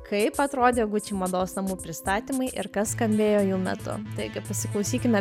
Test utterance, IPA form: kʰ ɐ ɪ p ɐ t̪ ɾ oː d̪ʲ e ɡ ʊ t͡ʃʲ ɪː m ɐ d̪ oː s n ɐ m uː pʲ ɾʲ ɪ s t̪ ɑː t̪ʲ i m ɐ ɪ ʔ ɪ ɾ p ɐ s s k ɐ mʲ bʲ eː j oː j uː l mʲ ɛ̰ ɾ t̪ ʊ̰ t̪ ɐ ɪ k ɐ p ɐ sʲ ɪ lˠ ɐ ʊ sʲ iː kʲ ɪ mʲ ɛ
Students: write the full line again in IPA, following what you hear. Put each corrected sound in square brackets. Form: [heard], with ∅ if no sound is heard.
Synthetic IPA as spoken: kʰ ɐ ɪ p ɐ t̪ ɾ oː d̪ʲ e ɡ ʊ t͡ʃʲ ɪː m ɐ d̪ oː s n ɐ m uː pʲ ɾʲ ɪ s t̪ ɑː t̪ʲ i m ɐ ɪ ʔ ɪ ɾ [k] ɐ s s k ɐ mʲ bʲ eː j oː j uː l mʲ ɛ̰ [∅] t̪ ʊ̰ t̪ ɐ ɪ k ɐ p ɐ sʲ ɪ lˠ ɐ ʊ sʲ iː kʲ ɪ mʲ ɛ